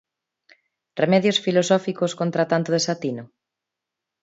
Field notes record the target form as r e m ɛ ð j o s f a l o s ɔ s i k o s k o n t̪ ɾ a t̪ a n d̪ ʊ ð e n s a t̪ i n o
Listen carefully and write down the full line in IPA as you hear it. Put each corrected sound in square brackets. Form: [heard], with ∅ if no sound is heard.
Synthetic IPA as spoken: r e m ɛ ð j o s f [i] l o s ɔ [f] i k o s k o n t̪ ɾ a t̪ a n [t̪] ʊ ð e [∅] s a t̪ i n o